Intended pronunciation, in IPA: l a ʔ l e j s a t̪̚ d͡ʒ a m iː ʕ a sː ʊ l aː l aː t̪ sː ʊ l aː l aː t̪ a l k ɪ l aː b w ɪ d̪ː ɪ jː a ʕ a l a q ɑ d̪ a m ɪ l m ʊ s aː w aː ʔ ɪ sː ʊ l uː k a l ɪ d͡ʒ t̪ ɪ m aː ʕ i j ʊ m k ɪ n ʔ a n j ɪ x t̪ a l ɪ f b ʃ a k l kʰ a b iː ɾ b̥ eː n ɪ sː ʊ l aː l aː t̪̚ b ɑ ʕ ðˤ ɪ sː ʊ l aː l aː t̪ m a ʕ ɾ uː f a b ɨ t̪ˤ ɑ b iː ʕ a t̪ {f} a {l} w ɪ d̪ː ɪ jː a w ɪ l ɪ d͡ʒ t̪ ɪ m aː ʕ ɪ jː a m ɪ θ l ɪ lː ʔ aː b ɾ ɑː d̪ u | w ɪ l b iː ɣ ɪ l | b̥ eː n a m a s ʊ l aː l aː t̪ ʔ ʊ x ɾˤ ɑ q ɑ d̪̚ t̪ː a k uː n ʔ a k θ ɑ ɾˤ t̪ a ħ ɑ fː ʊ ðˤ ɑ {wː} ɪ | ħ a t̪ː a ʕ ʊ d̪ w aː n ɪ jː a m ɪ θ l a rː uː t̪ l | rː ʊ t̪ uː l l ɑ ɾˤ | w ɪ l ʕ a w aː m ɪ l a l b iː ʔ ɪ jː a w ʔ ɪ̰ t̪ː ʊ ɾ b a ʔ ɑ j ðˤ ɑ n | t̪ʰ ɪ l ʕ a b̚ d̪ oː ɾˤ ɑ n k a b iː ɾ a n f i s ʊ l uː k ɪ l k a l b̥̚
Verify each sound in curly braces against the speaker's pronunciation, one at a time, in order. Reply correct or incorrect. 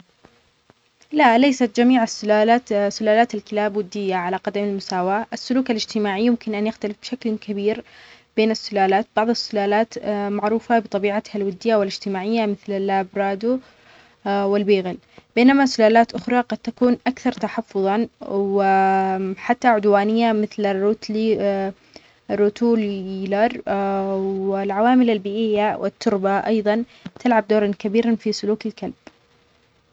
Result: incorrect: h, correct, incorrect: w

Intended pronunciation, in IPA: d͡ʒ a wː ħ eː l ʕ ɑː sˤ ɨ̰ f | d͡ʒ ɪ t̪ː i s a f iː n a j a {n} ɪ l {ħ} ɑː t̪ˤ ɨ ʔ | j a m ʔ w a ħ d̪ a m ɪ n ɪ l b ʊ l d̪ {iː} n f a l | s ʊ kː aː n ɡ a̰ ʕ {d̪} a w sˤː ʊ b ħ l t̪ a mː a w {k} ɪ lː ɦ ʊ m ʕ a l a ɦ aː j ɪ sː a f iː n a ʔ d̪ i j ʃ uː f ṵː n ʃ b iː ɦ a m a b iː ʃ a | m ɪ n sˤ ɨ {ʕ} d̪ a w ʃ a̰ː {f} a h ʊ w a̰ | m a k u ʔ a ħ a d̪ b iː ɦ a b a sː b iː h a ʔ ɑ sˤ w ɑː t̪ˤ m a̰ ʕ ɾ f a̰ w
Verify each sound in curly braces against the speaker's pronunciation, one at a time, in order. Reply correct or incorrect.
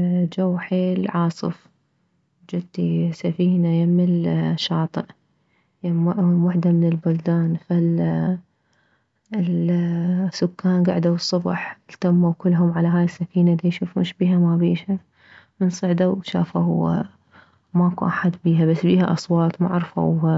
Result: incorrect: m, incorrect: ʃ, incorrect: aː, correct, correct, correct, correct

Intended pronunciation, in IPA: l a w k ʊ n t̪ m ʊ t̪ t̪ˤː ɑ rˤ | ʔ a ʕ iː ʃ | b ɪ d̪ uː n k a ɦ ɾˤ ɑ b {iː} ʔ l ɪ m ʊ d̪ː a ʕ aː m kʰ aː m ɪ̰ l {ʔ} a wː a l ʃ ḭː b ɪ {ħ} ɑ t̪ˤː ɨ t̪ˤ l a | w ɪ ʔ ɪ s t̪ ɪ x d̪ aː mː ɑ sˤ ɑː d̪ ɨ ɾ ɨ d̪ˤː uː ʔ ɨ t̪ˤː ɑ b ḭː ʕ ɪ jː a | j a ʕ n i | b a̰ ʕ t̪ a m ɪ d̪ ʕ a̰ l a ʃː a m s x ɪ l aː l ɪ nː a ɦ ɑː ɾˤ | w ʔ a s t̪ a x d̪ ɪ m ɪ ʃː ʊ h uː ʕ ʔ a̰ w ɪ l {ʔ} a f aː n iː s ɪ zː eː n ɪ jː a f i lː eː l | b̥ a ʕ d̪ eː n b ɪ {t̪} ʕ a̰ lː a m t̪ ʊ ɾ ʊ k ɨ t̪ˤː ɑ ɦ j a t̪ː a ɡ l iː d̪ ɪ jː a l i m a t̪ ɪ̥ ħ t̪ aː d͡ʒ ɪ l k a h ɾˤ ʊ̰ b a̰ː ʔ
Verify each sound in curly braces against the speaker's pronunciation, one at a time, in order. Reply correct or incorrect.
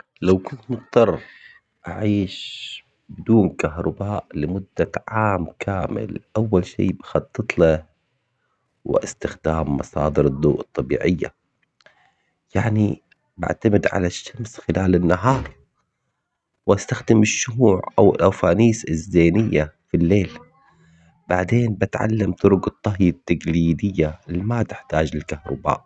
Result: incorrect: aː, correct, incorrect: x, correct, correct

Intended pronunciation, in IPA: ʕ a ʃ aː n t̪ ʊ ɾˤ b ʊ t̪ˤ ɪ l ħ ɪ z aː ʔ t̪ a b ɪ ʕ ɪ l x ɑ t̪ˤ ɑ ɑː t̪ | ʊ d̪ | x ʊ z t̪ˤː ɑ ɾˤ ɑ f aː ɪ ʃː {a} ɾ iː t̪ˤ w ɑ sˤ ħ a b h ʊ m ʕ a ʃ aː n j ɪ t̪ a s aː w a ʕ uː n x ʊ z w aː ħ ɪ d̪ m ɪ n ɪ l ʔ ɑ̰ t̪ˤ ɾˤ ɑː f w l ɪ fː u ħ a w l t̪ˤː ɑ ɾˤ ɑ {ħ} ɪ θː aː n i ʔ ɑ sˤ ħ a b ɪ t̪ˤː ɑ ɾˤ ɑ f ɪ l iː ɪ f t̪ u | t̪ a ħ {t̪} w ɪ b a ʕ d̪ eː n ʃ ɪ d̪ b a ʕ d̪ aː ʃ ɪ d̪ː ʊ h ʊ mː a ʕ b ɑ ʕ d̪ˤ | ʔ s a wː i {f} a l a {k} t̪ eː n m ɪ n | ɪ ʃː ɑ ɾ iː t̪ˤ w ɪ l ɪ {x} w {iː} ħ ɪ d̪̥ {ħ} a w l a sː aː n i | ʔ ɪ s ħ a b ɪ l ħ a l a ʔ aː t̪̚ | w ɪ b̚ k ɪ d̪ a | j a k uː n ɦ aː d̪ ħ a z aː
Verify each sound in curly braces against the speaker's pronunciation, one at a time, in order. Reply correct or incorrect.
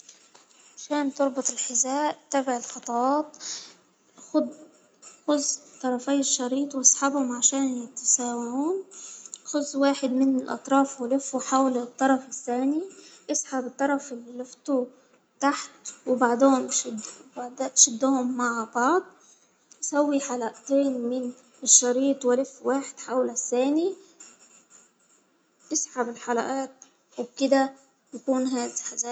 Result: incorrect: ɑ, incorrect: f, correct, incorrect: ħ, incorrect: ʔ, incorrect: f, incorrect: aː, correct

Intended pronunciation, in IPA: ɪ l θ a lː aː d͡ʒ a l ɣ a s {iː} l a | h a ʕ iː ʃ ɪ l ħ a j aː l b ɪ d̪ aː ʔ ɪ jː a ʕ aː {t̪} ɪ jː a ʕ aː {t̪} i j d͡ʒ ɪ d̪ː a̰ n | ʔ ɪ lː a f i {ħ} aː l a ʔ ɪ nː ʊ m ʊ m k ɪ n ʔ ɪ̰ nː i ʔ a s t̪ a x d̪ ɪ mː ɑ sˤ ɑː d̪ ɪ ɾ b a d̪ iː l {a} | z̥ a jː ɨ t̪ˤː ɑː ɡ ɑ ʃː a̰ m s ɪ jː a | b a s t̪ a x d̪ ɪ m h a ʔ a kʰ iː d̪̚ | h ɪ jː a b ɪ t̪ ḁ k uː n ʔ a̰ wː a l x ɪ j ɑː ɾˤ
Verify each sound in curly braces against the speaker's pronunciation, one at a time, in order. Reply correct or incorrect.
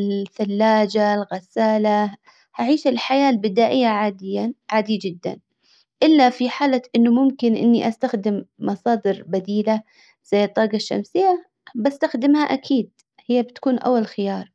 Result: incorrect: aː, incorrect: d̪, incorrect: d̪, correct, correct

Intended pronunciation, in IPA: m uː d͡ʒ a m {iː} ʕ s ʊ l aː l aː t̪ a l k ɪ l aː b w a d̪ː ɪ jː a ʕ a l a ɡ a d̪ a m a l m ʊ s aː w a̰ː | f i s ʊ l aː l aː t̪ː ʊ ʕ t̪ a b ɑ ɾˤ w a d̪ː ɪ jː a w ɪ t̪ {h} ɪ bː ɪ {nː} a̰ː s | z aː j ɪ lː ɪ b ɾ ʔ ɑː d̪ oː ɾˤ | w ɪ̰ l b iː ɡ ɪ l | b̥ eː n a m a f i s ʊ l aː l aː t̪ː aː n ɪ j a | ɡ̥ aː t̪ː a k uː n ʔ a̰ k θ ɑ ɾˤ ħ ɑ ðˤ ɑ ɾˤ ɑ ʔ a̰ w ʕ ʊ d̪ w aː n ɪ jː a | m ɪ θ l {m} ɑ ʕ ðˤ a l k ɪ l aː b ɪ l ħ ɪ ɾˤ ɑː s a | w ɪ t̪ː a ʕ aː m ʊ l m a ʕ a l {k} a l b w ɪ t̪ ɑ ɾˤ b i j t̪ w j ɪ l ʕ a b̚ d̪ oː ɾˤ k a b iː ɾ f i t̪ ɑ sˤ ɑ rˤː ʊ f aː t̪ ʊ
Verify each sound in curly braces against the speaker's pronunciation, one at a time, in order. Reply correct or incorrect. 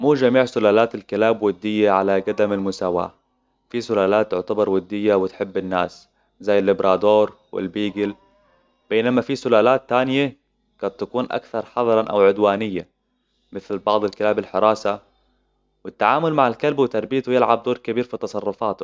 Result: correct, incorrect: ħ, correct, incorrect: b, correct

